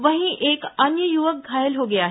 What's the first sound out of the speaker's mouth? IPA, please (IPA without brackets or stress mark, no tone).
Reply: ʋ